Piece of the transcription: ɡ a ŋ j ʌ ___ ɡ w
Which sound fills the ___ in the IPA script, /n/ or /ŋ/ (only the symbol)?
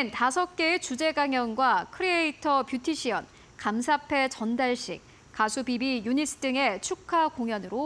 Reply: n